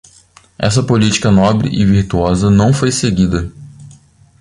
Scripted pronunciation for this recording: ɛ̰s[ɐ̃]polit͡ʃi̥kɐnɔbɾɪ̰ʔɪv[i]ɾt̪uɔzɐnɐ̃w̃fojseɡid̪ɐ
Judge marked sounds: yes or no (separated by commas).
no, yes